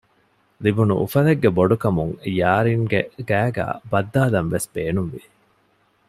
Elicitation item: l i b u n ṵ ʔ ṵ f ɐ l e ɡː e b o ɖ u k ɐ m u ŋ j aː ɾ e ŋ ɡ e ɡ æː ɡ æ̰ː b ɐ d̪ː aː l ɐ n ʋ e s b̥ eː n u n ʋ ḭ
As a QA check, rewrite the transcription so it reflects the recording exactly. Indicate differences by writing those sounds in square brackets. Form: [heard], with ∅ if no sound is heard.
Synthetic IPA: l i b u n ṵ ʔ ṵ f ɐ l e ɡː e b o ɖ u k ɐ m u ŋ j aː ɾ [i] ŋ ɡ e ɡ æː ɡ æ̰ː b ɐ d̪ː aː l ɐ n ʋ e s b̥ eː n u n ʋ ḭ